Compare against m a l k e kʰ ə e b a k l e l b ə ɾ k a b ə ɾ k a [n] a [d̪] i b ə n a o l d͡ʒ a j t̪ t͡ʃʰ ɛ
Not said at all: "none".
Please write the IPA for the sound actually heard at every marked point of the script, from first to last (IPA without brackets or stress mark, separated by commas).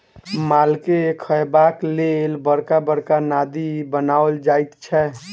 n, d̪